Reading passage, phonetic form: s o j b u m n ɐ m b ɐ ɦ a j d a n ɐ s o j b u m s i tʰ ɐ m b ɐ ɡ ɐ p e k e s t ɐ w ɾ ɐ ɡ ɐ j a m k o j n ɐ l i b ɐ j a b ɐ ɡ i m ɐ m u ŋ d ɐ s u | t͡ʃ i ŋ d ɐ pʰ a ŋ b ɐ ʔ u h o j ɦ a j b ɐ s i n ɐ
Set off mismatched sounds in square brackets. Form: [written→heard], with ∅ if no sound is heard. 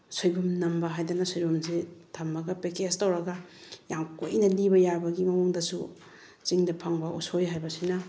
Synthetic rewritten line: s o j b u m n ɐ m b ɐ ɦ a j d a n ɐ s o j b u m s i tʰ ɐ m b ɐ ɡ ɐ p e k e s t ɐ w ɾ ɐ ɡ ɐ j a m k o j n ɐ l i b ɐ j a b ɐ ɡ i m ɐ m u ŋ d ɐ s u | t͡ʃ i ŋ d ɐ pʰ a ŋ b ɐ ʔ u [h→s] o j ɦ a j b ɐ s i n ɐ